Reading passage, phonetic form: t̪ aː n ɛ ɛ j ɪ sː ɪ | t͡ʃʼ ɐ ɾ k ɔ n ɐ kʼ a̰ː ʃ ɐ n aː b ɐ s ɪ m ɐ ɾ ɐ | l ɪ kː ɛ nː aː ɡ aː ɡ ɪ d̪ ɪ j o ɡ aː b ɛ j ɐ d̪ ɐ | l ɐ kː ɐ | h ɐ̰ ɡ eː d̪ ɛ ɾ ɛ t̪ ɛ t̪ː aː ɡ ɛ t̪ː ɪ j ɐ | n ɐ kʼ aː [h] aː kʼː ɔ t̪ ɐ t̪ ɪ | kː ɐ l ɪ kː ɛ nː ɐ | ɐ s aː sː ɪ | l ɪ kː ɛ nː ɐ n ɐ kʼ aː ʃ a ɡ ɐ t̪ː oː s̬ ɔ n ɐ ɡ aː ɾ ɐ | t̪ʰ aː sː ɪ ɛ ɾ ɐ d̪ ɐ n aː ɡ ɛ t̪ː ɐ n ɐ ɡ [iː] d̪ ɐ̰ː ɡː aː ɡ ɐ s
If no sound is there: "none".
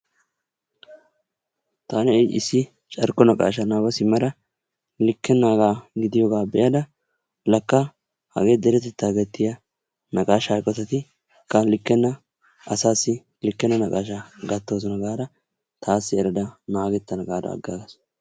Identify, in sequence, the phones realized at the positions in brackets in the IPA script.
ʃ, aː

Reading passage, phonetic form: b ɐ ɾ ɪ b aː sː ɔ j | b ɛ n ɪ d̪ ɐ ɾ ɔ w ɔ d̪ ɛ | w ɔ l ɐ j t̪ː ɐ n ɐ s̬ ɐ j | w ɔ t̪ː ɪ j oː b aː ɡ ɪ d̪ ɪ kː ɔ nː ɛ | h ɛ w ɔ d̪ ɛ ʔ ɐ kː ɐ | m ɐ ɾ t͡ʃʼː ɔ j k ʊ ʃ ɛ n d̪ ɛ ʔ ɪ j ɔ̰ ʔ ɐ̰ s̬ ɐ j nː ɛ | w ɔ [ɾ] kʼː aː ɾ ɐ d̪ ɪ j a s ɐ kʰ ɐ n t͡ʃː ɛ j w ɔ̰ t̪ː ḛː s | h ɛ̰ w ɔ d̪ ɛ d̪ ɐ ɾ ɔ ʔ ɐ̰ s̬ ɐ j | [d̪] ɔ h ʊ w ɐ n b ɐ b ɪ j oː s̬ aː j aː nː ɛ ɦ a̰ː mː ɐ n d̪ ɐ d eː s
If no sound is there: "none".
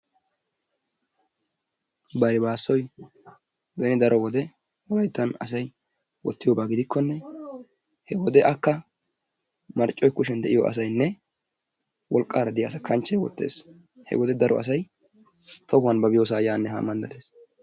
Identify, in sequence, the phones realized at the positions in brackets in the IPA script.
l, t̪

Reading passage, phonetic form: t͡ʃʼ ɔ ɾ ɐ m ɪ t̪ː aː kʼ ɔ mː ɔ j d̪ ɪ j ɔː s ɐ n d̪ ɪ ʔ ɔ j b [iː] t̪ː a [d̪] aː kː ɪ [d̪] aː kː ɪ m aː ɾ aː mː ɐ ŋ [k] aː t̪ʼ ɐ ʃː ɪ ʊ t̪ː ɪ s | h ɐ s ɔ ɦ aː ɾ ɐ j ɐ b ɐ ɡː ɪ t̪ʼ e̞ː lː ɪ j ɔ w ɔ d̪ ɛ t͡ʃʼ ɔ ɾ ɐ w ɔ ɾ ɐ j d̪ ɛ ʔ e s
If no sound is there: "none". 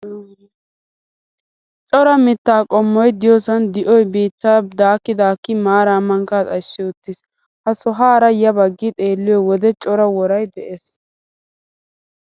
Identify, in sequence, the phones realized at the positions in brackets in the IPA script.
iː, d̪, d̪, k

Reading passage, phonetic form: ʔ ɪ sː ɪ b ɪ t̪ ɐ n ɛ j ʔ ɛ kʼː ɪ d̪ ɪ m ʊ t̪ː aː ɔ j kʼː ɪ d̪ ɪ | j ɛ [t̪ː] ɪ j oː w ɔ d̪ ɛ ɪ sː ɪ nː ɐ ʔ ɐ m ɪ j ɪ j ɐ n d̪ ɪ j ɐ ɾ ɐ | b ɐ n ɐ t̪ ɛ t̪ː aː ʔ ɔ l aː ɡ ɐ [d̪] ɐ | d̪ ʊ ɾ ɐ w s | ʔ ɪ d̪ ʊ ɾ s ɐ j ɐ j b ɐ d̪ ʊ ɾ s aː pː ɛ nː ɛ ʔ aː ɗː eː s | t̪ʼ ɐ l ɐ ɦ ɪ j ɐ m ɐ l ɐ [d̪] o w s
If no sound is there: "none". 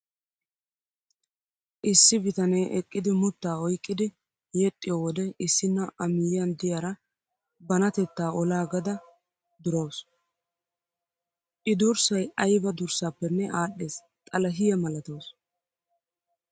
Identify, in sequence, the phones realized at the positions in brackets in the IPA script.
t̪ʼː, d̪, t̪

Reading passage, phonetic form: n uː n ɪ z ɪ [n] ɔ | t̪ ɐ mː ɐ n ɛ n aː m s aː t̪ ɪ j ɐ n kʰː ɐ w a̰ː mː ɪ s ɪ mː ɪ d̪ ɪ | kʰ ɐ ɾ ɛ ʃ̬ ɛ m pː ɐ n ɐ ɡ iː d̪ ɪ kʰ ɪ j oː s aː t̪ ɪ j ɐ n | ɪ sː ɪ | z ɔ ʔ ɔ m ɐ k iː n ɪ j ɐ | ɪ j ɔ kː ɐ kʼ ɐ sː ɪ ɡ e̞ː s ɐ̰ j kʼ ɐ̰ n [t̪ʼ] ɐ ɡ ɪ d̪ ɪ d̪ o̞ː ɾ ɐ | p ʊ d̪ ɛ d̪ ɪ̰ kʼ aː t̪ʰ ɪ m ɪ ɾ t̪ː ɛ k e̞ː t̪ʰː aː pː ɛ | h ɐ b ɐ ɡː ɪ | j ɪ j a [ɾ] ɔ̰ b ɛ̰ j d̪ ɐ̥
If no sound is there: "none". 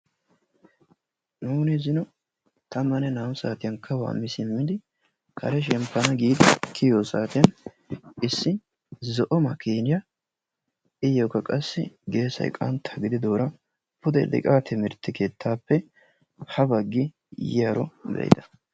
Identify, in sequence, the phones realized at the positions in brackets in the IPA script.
n, t̪, ɾ

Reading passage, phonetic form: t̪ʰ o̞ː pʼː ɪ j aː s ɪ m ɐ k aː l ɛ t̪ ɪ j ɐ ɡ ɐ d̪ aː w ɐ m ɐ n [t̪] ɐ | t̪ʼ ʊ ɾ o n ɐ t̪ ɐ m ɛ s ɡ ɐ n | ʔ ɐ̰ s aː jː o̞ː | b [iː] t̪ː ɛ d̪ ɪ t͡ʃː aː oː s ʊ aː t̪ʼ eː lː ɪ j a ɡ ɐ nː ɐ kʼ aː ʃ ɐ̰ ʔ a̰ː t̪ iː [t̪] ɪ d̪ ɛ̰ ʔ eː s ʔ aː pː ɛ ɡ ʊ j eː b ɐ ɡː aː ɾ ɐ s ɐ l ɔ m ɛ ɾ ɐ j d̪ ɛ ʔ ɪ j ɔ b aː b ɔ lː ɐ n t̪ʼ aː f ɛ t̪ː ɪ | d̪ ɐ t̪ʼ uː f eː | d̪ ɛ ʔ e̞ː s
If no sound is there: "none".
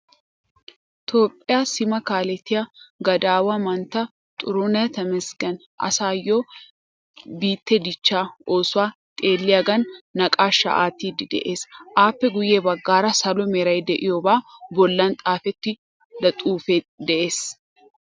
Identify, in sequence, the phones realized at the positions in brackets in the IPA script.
t̪, iː, d̪

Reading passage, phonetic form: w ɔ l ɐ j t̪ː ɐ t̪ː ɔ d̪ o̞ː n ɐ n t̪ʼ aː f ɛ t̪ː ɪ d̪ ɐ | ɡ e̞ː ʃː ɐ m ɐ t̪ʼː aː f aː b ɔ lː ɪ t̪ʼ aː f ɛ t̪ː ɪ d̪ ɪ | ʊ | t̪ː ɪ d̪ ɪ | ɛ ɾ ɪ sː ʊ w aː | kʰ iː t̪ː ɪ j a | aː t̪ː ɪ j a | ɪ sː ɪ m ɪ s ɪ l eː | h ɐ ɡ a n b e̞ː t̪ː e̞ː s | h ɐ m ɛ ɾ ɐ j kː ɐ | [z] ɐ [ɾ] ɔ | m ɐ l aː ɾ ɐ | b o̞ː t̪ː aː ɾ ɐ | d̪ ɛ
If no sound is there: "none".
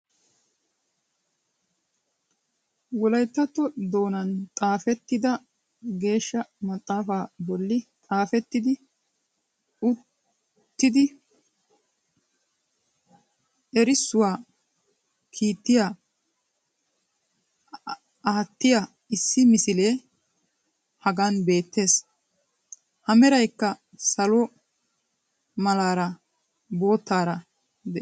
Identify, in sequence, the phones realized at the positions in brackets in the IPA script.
s, l

